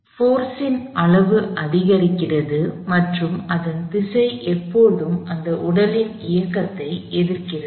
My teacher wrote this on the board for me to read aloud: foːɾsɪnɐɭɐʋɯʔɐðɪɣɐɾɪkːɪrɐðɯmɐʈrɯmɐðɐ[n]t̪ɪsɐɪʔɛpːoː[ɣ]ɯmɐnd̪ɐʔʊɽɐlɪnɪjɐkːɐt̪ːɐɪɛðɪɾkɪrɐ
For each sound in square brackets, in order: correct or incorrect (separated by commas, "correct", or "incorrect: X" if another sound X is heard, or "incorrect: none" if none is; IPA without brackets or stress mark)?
correct, incorrect: ð